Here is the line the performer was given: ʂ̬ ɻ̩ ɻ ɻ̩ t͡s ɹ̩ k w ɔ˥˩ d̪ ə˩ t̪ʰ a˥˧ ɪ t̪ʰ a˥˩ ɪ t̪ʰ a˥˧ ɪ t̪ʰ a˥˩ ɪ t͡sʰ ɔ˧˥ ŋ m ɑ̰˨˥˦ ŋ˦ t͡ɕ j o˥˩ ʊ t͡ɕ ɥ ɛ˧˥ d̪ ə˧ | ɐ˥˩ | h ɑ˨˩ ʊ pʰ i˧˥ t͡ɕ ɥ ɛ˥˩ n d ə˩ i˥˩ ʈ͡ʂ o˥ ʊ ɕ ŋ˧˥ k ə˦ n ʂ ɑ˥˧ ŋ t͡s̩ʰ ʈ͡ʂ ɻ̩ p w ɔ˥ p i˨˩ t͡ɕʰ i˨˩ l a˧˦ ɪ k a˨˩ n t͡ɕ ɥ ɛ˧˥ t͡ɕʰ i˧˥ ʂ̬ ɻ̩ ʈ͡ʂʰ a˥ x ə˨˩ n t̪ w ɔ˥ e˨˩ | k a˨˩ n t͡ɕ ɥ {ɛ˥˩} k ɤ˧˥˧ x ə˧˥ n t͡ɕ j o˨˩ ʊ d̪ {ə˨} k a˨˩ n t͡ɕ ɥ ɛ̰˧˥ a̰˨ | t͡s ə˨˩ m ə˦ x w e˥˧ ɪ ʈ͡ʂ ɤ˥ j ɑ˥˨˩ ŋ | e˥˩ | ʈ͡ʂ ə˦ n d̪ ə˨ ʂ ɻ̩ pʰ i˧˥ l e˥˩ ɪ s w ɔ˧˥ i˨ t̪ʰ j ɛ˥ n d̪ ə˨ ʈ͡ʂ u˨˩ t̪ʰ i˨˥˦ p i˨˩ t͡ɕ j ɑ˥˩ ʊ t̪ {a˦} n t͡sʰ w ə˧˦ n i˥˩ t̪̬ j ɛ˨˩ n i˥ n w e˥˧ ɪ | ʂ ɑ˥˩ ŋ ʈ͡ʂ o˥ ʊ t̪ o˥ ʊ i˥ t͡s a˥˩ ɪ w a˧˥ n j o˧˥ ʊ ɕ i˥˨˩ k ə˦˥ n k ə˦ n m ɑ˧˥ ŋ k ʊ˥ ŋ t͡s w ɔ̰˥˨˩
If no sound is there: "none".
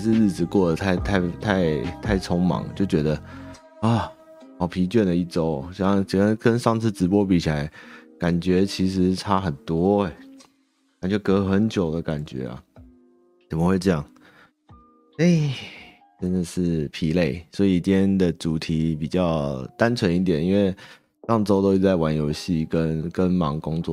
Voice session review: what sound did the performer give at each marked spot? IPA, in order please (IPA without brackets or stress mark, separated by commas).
ɛ˧˥, ə˦, a˦